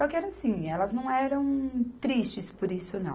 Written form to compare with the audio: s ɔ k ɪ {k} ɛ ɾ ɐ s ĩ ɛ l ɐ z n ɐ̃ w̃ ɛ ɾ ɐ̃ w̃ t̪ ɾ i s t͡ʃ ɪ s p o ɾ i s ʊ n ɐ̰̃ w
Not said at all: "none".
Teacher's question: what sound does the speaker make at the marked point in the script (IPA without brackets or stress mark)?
none